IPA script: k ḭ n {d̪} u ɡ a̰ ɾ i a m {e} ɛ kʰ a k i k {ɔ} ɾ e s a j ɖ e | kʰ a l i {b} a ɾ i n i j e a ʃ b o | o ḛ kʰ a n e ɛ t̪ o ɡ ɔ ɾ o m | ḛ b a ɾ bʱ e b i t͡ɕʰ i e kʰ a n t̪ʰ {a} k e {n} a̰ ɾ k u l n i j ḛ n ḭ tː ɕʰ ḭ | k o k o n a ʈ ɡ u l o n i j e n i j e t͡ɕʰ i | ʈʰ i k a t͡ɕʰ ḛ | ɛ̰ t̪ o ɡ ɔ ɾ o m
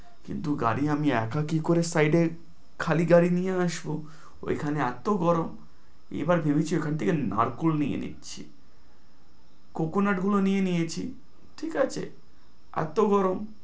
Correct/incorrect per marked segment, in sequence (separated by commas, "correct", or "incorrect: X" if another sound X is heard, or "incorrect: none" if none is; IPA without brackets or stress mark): incorrect: t̪, incorrect: i, incorrect: o, incorrect: ɡ, incorrect: e, correct